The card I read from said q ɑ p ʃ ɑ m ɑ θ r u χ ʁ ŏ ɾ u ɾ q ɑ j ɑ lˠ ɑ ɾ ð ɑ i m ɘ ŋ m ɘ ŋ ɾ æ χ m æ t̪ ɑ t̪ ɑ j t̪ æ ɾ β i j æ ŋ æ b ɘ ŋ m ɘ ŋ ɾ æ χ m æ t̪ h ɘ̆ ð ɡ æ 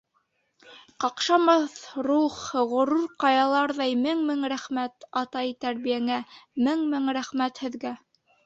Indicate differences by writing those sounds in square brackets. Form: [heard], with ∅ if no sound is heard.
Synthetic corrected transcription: q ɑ [q] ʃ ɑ m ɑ θ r u χ ʁ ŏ ɾ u ɾ q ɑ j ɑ lˠ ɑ ɾ ð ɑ [j] m ɘ ŋ m ɘ ŋ ɾ æ χ m æ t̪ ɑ t̪ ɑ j t̪ æ ɾ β i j æ ŋ æ [m] ɘ ŋ m ɘ ŋ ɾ æ χ m æ t̪ h ɘ̆ ð ɡ æ